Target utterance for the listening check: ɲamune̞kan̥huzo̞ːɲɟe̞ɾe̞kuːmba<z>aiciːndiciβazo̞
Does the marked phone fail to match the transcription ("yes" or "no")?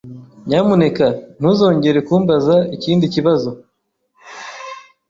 no